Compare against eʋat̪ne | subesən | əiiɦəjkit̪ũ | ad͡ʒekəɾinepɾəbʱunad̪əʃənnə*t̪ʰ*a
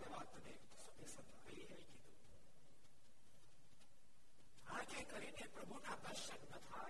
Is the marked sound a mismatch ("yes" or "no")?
no